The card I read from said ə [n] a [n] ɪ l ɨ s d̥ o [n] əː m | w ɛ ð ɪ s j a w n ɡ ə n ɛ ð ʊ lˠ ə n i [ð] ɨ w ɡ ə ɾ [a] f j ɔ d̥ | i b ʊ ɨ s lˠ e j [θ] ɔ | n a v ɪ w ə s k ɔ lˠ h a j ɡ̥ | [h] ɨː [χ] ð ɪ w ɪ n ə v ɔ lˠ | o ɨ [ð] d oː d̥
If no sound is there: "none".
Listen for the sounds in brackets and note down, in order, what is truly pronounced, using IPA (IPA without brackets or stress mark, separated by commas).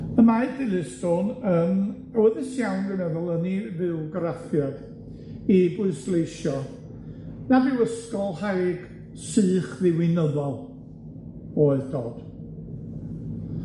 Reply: m, d, n, v, a, ʃ, s, χ, ð